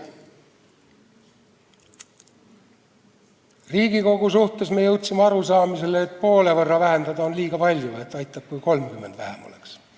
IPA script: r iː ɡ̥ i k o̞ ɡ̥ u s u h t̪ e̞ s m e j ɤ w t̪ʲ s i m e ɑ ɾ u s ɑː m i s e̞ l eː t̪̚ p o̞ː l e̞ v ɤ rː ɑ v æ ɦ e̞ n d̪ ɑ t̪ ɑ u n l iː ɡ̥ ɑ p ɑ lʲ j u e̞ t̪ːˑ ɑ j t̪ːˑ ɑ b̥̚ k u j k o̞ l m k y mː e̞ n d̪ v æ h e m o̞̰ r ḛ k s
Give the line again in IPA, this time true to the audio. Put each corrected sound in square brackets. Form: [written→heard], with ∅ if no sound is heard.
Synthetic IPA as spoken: r iː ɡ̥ i k o̞ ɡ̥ u s u h t̪ e̞ s m e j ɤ w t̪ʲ s i m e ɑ ɾ u s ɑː m i s e̞ l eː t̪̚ p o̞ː l e̞ v ɤ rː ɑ v æ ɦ e̞ n d̪ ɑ [t̪→d̪] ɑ [u→o] n l iː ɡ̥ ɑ p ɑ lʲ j u e̞ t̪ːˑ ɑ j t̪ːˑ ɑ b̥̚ k u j k o̞ l m k y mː e̞ n d̪ v æ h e m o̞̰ [r→l] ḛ k s